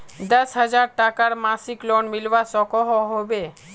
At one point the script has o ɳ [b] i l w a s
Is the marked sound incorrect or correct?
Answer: incorrect